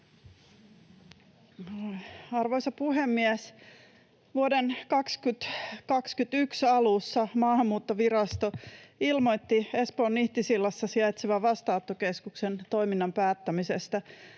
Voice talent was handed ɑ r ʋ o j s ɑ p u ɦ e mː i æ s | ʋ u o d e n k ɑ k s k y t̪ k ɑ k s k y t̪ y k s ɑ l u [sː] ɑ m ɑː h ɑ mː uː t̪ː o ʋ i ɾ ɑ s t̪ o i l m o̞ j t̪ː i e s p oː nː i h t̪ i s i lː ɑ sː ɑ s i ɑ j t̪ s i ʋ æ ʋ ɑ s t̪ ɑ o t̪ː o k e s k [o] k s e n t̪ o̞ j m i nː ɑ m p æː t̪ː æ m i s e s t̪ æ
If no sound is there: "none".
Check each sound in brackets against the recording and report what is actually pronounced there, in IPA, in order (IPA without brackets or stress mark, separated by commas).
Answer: sː, u